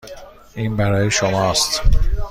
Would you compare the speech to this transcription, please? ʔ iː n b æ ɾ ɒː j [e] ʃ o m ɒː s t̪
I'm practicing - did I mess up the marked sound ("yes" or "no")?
no